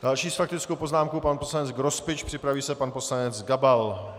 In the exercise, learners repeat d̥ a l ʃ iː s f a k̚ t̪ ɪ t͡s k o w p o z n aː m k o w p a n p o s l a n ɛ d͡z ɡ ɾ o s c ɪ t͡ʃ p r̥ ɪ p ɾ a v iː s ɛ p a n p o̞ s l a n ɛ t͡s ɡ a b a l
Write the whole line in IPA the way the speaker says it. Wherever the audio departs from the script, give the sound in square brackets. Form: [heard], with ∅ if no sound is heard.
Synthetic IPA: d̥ a l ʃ iː s f a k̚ t̪ ɪ t͡s k o w p o z n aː m k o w p a n p o s l a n ɛ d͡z ɡ ɾ o s [p] ɪ t͡ʃ p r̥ ɪ p ɾ a v iː s ɛ p a n p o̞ s l a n ɛ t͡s ɡ a b a l